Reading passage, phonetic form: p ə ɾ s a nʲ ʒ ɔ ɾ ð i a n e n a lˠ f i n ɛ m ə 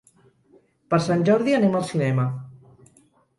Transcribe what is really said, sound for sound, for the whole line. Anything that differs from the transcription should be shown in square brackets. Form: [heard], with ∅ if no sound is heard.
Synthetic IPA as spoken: p ə ɾ s a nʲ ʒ ɔ ɾ ð i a n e [m] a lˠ [s] i n ɛ m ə